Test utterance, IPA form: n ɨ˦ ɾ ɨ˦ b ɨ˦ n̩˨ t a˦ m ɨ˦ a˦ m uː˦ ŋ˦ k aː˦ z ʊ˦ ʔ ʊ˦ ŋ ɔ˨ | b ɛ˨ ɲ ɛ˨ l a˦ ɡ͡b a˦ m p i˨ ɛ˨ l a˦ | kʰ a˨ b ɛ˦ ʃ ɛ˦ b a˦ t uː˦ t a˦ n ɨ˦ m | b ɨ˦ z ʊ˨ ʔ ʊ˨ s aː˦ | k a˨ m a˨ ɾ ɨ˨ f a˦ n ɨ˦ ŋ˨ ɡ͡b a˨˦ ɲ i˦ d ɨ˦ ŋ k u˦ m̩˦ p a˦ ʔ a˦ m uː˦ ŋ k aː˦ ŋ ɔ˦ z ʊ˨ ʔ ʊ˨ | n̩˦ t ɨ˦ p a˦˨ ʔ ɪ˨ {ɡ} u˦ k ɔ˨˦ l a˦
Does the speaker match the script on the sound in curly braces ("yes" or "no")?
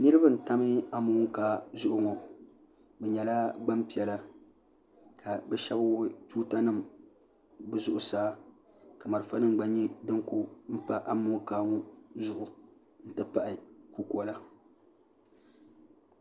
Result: no